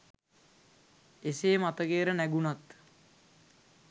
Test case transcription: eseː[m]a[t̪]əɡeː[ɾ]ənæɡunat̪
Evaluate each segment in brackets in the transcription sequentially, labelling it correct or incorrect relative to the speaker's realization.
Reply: correct, correct, correct

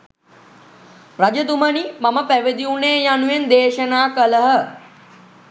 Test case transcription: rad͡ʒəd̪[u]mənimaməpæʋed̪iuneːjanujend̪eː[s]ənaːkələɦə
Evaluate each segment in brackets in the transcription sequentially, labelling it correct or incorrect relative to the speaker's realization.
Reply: correct, incorrect

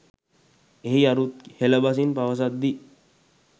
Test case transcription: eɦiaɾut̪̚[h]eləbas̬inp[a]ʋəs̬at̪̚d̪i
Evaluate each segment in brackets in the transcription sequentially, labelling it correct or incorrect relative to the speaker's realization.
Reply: correct, correct

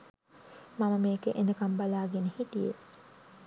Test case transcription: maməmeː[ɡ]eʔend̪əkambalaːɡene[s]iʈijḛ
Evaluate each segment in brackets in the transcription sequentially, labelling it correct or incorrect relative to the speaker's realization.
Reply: incorrect, incorrect

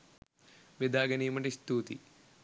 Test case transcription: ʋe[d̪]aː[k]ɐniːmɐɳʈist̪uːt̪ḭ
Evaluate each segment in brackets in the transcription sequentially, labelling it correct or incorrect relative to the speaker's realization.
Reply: correct, incorrect

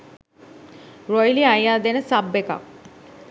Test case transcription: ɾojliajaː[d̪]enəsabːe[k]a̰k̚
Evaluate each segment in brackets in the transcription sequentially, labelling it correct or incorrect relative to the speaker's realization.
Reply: correct, correct

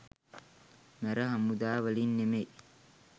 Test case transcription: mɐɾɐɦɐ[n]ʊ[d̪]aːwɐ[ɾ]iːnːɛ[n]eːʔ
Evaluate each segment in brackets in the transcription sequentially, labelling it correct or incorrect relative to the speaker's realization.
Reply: incorrect, correct, incorrect, incorrect

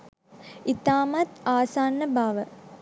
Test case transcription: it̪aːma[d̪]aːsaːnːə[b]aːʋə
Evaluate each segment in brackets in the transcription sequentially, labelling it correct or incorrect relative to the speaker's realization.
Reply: incorrect, correct

